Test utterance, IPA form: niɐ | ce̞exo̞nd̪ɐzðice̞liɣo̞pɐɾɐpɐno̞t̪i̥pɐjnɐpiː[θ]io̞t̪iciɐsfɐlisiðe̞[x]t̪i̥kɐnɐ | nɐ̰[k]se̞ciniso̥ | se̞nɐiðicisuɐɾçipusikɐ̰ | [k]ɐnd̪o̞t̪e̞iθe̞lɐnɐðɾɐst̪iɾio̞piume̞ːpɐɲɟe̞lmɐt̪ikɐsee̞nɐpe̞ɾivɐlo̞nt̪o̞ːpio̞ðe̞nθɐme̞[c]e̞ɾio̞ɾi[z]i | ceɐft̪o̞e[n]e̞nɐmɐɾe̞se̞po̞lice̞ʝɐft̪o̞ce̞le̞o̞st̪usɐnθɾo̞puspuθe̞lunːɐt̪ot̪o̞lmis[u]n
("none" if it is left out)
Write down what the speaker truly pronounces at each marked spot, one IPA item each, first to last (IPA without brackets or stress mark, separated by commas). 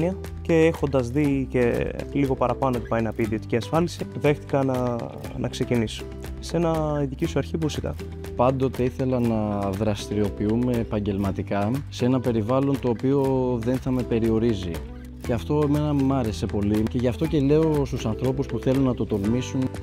ð, x, k, p, p, z, m, u